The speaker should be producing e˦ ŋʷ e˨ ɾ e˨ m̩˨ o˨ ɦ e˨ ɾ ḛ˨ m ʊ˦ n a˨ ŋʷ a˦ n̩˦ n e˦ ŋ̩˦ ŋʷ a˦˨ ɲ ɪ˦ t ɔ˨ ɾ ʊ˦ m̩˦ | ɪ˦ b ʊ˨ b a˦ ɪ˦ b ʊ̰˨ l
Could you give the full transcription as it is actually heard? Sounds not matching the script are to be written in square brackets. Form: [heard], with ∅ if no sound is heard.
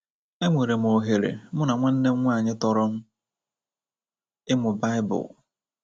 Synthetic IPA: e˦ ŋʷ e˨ ɾ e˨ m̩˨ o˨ ɦ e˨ ɾ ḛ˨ m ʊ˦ n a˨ ŋʷ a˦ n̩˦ n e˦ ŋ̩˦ ŋʷ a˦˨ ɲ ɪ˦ t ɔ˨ ɾ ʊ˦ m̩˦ | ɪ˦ [m] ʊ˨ b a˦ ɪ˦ b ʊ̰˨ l